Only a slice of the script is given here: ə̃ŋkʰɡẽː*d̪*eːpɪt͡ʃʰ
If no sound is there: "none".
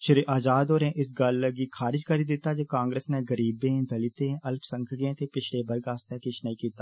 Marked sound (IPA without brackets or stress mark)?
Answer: t̪